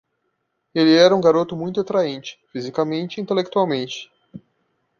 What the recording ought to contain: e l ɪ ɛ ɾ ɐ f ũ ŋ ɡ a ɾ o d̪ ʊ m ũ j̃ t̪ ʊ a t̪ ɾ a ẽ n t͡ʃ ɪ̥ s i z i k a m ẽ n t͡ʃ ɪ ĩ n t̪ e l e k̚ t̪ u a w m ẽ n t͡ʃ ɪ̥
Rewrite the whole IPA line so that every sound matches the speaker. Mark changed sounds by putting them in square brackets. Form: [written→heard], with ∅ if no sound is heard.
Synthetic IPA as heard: e l ɪ ɛ ɾ ɐ [f→∅] ũ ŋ ɡ a ɾ o [d̪→t̪] ʊ m ũ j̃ t̪ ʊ a t̪ ɾ a ẽ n t͡ʃ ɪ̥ [s→f] i z i k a m ẽ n t͡ʃ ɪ ĩ n t̪ e l e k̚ t̪ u a w m ẽ n t͡ʃ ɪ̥